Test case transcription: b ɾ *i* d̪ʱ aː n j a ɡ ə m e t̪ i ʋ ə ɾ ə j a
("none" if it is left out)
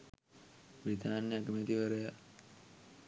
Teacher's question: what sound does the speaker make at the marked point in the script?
i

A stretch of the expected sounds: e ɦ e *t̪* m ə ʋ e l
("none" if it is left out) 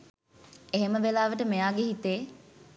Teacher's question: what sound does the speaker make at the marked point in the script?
none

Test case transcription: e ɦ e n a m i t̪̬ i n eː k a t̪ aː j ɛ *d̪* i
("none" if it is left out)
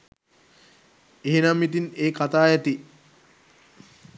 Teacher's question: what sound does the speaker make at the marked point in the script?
t̪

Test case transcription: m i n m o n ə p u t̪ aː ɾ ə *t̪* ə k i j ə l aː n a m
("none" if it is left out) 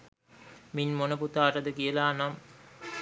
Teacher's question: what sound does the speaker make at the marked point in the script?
d̪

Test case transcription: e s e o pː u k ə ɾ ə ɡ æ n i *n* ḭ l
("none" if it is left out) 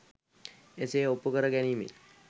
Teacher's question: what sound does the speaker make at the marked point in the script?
m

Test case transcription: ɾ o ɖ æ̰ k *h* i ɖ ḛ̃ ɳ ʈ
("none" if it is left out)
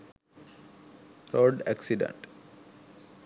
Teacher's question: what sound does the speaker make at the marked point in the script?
s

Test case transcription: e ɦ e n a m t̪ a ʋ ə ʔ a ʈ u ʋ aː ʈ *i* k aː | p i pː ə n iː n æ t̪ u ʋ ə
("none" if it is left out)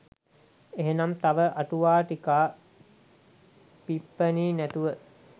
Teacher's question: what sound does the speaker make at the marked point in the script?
i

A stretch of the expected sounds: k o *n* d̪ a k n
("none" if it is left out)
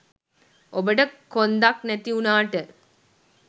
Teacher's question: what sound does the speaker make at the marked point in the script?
n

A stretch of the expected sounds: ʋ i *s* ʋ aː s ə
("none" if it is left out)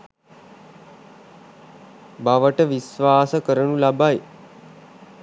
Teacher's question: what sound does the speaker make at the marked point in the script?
s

